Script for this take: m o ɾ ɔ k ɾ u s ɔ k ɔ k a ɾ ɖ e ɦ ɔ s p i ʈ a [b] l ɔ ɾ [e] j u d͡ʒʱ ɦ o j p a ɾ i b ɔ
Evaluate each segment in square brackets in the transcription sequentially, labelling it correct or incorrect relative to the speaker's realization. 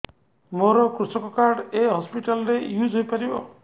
incorrect: none, correct

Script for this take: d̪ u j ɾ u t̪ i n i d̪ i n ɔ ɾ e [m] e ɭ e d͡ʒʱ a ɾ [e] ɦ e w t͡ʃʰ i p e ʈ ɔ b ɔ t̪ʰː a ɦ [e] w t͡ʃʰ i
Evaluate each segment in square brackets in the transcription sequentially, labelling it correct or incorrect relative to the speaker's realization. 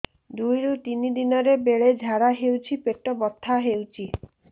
incorrect: b, incorrect: a, correct

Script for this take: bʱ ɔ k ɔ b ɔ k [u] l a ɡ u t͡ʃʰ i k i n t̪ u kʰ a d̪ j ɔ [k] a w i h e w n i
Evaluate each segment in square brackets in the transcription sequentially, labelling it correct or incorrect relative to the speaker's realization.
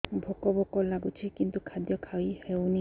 incorrect: ɔ, incorrect: kʰ

